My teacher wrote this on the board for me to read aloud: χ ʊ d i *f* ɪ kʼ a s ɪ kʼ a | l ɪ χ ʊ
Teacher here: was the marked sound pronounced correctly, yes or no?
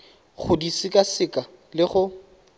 no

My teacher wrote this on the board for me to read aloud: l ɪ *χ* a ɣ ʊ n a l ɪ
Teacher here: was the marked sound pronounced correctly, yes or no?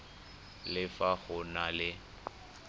no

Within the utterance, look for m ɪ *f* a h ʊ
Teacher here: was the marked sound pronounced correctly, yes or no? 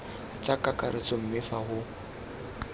yes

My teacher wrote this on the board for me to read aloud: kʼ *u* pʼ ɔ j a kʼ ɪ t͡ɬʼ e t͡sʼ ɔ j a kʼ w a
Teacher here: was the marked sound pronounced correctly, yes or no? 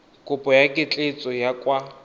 no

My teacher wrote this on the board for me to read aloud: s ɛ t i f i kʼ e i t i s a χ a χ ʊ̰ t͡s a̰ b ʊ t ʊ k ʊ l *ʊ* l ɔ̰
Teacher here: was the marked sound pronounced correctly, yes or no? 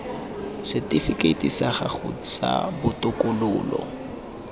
no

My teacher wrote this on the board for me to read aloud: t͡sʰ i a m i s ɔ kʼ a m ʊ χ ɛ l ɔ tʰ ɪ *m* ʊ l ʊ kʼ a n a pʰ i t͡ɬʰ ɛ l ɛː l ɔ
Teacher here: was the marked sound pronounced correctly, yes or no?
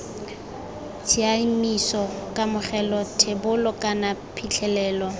no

